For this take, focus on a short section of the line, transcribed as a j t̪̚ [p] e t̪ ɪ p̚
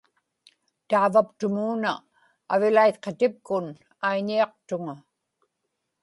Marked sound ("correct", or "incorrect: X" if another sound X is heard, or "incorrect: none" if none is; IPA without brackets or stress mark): incorrect: q